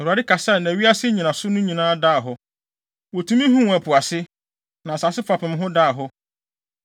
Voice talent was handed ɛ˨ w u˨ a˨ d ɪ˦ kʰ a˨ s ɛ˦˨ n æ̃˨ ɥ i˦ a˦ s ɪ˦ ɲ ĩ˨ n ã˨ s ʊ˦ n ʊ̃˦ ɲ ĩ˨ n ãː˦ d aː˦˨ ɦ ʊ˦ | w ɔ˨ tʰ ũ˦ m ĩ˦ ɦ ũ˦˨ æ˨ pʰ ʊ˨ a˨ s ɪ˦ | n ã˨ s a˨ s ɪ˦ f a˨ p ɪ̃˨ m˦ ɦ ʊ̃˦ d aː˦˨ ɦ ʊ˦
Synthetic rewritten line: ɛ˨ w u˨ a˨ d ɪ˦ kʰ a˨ s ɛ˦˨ n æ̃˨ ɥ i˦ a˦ s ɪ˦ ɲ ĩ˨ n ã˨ s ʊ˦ n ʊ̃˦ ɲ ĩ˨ n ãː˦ d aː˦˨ ɦ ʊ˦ | w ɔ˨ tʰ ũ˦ m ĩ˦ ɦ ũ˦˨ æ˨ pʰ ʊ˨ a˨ s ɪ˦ | n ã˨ s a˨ s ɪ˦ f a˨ p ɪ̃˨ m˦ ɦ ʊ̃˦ d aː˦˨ ɦ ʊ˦